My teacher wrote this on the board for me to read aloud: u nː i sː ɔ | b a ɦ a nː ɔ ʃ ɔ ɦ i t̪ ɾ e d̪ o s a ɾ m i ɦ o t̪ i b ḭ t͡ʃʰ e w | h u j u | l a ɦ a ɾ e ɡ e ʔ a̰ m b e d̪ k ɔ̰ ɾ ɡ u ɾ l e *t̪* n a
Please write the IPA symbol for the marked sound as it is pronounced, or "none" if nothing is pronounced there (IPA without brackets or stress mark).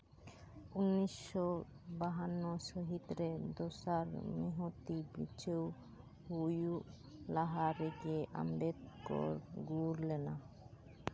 none